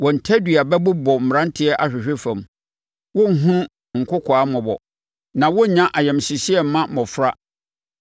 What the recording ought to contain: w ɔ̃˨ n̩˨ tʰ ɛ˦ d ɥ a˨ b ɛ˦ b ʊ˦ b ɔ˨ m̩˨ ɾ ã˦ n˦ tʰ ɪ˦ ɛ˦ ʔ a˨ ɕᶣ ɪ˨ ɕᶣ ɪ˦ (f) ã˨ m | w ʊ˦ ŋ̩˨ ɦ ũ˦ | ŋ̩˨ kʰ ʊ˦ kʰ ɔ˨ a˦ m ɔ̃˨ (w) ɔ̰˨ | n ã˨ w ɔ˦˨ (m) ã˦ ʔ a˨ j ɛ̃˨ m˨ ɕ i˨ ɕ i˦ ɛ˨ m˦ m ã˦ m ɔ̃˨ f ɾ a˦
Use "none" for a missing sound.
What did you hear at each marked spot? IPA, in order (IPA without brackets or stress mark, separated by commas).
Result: f, b, ɲ